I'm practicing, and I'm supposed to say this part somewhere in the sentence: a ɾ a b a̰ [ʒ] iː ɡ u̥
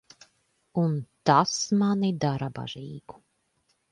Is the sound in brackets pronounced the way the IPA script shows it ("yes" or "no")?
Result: yes